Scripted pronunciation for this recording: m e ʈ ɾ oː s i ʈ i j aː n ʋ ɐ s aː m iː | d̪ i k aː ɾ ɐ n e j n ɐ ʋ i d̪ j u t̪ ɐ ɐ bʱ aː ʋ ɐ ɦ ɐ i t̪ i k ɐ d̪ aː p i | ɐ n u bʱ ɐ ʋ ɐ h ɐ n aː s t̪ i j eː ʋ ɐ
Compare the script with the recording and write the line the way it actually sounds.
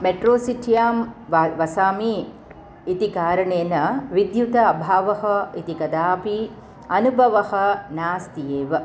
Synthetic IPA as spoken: m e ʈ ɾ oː s i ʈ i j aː m ʋ ɐ s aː m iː | t̪ i k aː ɾ ɐ ɳ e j n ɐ ʋ i d̪ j u t̪ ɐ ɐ bʱ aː ʋ ɐ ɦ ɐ i t̪ i k ɐ d̪ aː p i | ɐ n u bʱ ɐ ʋ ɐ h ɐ n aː s t̪ i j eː ʋ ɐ